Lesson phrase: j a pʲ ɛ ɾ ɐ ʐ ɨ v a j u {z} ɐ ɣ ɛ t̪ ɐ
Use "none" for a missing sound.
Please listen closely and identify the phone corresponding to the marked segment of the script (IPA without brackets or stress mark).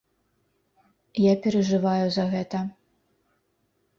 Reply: z